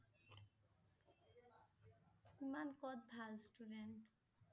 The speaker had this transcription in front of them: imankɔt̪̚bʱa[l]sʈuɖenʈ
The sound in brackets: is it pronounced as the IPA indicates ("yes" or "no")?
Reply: yes